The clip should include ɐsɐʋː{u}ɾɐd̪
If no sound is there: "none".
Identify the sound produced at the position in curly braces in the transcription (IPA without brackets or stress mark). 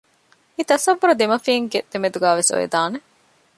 u